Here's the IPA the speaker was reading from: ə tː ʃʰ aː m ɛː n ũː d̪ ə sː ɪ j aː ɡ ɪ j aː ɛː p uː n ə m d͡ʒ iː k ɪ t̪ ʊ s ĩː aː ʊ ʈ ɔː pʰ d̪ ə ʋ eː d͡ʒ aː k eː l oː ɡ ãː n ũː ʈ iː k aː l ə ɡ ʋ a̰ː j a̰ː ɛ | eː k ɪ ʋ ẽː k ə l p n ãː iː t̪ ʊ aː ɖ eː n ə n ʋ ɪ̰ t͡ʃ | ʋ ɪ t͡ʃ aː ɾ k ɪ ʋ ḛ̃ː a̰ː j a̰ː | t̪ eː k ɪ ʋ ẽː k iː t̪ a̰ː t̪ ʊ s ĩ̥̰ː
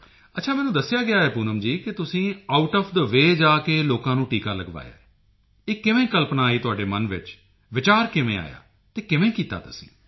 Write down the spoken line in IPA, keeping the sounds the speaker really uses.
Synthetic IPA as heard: ə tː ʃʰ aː m ɛː n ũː d̪ ə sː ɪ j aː ɡ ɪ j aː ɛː p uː n ə m d͡ʒ iː k ɪ t̪ ʊ s ĩː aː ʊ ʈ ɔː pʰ d̪ ə ʋ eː d͡ʒ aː k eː l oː k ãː n ũː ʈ iː k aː l ə ɡ ʋ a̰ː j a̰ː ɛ | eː k ɪ ʋ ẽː k ə l p n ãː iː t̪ ʊ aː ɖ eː m ə n ʋ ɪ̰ t͡ʃ | ʋ ɪ t͡ʃ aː ɾ k ɪ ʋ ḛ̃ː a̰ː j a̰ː | t̪ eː k ɪ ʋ ẽː k iː t̪ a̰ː t̪ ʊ s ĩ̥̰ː